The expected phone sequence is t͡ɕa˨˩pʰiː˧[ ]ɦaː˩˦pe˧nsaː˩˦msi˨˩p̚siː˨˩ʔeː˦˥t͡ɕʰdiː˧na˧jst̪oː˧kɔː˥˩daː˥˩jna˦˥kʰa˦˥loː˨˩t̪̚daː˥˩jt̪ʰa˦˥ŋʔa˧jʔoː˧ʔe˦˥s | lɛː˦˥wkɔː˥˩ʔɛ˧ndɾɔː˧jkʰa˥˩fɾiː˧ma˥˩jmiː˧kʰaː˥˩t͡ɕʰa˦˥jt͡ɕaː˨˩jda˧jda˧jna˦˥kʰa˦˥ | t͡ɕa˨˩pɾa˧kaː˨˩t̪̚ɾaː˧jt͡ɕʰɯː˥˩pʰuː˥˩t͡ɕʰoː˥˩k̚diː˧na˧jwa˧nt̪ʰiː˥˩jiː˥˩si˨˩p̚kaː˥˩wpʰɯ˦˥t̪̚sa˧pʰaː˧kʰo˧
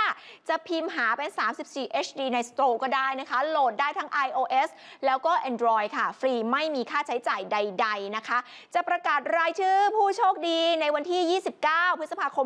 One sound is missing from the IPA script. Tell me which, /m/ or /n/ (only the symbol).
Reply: m